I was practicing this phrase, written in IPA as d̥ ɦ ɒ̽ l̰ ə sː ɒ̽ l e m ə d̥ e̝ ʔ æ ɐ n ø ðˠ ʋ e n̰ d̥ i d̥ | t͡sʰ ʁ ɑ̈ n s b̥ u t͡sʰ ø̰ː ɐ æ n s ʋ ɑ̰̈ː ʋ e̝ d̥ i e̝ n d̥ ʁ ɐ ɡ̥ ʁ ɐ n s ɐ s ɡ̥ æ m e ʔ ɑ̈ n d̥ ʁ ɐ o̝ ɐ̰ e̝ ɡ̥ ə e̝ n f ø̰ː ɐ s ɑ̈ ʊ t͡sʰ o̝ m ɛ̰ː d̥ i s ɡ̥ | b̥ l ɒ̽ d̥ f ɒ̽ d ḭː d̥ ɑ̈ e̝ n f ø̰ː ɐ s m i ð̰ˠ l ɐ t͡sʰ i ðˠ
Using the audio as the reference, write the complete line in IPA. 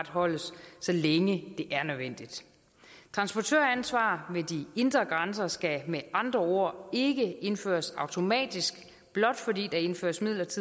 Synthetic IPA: d̥ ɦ ɒ̽ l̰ ə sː ɒ̽ l e ŋ ə d̥ e̝ ʔ æ ɐ n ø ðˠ ʋ e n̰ d̥ i d̥ | t͡sʰ ʁ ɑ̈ n s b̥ ɒ t͡sʰ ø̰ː ɐ æ n s ʋ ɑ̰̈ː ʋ e̝ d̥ i e̝ n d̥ ʁ ɐ ɡ̥ ʁ ɑ n s ɐ s ɡ̥ æ m e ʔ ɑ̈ n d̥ ʁ ɐ o̝ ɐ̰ e̝ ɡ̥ ə e̝ n f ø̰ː ɐ s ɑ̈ ʊ t͡sʰ o̝ m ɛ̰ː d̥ i s ɡ̥ | b̥ l ɒ̽ d̥ f ɒ̽ d ḭː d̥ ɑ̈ e̝ n f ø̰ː ɐ s m i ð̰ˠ l ɐ t͡sʰ i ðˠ

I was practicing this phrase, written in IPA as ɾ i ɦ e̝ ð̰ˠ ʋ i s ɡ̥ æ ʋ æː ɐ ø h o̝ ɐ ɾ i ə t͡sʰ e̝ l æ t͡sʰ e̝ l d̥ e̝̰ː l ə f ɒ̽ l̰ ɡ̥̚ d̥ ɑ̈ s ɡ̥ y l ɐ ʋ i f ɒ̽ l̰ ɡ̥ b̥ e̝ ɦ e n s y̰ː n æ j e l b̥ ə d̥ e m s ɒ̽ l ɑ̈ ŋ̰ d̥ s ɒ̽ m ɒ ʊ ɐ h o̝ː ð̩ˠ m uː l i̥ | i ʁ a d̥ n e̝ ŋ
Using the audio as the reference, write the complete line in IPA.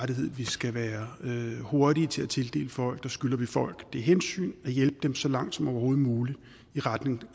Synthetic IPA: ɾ i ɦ e̝ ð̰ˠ ʋ i s ɡ̥ æ ʋ æː ɐ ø h o̝ ɐ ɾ i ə t͡sʰ e̝ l æ t͡sʰ e̝ l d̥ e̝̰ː l ə f ɒ̽ l̰ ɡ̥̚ d̥ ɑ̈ s ɡ̥ y l ɐ ʋ i f ɒ̽ l̰ ɡ̥ d̥ e̝ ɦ e n s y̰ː n æ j e l b̥ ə d̥ e m s ɒ̽ l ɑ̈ ŋ̰ d̥ s ɒ̽ m ɒ ʊ ɐ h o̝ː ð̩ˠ m uː l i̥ | i ʁ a d̥ n e̝ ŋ

